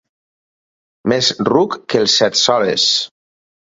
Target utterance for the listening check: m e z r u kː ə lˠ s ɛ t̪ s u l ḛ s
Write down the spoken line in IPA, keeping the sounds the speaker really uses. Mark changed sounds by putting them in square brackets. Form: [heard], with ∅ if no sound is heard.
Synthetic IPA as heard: m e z r u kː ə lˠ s ɛ t̪ s [ɔ] l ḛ s